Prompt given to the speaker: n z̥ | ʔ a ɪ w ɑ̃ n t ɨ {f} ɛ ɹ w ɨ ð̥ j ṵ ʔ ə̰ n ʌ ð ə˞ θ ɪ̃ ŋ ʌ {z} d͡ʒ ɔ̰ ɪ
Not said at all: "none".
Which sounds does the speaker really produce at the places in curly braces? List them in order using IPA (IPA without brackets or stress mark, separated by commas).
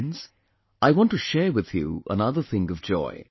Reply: ʃ, v